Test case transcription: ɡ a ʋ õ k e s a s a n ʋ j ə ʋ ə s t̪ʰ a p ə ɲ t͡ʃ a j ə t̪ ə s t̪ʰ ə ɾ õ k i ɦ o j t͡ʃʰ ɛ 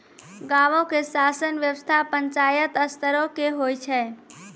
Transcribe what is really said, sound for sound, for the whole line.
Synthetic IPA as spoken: ɡ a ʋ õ k e s a s ə n ʋ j ə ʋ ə s t̪ʰ a p ə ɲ t͡ʃ a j ə t̪ ə s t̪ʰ ə ɾ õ k e ɦ o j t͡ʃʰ ɛ